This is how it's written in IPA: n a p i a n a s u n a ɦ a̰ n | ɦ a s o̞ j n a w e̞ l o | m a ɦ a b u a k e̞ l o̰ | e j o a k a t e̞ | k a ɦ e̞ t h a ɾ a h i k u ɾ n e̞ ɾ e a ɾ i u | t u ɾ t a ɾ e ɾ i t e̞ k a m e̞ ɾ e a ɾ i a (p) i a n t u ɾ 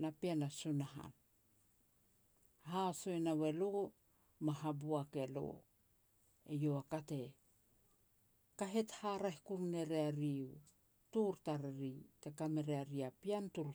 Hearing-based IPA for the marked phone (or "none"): p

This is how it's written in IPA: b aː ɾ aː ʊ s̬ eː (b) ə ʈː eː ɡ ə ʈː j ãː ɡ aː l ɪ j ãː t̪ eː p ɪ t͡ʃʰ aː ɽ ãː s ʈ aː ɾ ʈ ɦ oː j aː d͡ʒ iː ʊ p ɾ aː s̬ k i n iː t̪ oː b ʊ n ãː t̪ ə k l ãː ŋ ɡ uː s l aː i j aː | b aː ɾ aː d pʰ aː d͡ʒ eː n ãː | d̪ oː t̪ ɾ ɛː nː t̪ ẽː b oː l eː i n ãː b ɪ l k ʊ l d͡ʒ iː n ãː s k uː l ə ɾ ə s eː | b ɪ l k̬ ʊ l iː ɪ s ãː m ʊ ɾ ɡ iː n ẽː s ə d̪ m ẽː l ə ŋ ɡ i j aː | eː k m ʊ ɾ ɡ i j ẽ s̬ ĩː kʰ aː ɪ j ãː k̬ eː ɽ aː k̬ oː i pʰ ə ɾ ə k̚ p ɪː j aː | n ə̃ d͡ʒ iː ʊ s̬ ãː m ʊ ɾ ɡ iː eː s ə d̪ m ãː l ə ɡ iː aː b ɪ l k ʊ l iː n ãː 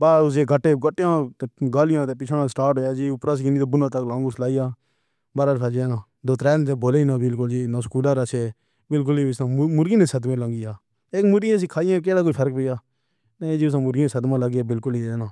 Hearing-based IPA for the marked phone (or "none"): ɡ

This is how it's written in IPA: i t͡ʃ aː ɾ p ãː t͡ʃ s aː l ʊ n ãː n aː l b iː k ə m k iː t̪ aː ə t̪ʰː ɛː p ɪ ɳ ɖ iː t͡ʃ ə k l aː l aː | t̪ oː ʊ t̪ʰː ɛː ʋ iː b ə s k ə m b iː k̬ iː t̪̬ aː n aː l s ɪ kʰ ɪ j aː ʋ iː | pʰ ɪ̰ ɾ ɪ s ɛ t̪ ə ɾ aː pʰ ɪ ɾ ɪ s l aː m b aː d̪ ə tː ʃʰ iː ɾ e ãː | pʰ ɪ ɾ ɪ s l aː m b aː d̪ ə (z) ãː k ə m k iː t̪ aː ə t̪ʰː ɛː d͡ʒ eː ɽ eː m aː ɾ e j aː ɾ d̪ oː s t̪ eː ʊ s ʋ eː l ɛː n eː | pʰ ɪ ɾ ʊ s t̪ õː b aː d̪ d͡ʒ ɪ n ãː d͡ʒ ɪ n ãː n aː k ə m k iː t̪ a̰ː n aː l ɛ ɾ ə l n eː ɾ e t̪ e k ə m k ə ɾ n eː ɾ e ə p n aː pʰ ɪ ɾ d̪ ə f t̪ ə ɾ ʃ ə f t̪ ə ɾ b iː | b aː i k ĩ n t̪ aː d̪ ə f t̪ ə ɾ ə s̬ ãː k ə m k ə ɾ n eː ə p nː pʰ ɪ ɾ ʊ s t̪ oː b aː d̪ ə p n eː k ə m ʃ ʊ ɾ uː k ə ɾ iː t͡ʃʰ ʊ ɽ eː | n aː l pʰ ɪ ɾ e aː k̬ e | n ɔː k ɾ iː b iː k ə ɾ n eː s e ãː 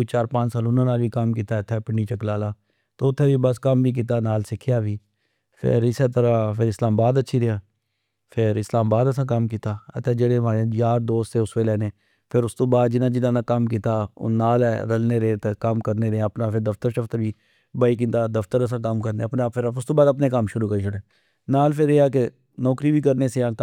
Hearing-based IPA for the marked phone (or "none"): s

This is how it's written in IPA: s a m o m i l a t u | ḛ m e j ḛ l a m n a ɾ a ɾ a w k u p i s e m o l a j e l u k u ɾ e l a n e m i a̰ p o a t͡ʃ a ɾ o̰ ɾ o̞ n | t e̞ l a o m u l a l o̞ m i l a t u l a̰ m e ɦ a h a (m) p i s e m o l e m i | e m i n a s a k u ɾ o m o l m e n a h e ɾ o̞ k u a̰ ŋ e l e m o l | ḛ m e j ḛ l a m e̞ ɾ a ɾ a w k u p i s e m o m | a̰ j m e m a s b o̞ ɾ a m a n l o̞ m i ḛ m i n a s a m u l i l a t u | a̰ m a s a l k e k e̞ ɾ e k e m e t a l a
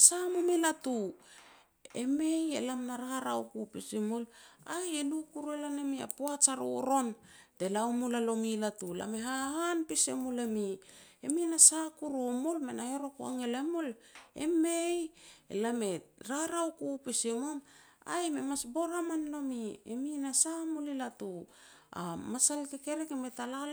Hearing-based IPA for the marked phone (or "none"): n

